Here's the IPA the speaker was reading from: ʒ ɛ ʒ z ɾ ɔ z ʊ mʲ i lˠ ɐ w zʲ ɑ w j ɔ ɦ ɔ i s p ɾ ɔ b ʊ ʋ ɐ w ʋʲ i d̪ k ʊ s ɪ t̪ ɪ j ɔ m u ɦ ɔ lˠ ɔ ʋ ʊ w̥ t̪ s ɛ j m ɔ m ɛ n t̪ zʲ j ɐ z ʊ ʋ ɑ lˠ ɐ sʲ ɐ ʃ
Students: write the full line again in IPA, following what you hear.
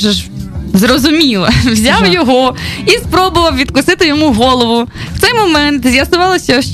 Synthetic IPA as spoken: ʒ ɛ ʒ z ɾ ɔ z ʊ mʲ i lˠ ɐ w zʲ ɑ w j ɔ ɦ ɔ i s p ɾ ɔ b ʊ ʋ ɐ w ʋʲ i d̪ k ʊ s ɪ t̪ ɪ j ɔ m u ɦ ɔ lˠ ɔ ʋ ʊ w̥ t̪ s ɛ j m ɔ m ɛ n t̪ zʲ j ɐ s ʊ ʋ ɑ lˠ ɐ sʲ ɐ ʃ